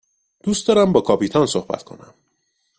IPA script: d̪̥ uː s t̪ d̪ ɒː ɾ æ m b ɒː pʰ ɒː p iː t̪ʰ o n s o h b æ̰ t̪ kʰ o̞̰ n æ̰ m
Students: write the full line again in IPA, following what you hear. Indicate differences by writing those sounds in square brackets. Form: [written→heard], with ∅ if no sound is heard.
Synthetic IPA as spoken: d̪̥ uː s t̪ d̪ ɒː ɾ æ m b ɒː [pʰ→kʰ] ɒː p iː t̪ʰ [o→ɒ] n s o h b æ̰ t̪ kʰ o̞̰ n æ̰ m

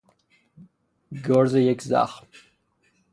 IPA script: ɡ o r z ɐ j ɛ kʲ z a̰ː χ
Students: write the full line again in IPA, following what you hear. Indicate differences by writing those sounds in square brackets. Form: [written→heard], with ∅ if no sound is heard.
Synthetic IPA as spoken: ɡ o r z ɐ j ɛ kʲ z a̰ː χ

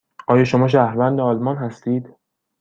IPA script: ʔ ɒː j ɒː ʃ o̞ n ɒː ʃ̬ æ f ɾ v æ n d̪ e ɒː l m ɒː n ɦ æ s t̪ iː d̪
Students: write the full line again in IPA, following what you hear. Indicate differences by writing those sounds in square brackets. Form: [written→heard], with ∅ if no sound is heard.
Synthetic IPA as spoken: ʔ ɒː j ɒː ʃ o̞ [n→m] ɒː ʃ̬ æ [f→h] ɾ v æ n d̪ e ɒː l m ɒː n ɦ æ s t̪ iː d̪

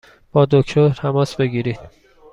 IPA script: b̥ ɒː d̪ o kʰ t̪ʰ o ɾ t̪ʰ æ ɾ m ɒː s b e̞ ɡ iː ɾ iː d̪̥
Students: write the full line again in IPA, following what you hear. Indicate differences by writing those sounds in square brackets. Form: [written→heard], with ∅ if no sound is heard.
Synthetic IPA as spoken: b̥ ɒː d̪ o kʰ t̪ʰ o ɾ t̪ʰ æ [ɾ→∅] m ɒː s b e̞ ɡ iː ɾ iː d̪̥

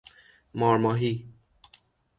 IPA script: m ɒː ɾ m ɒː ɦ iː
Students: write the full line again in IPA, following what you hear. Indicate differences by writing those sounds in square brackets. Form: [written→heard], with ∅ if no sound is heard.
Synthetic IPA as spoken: m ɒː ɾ m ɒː ɦ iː

